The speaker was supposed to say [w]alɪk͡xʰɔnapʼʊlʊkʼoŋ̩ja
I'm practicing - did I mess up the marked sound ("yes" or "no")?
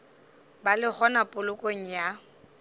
yes